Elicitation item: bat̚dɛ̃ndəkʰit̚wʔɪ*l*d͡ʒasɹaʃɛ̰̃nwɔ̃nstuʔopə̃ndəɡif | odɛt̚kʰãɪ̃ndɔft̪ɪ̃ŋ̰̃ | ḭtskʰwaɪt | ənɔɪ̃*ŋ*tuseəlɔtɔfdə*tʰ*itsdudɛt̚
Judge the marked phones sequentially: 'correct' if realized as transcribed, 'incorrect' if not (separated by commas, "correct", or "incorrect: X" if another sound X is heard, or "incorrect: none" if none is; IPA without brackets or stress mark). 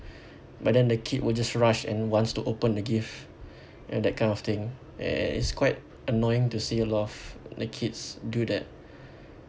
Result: correct, correct, incorrect: kʰ